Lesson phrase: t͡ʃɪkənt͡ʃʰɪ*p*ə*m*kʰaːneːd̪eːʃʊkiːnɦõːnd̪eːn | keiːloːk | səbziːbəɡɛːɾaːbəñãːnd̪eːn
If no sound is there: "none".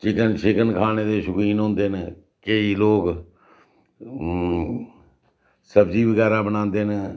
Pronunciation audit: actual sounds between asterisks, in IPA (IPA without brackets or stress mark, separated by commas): k, n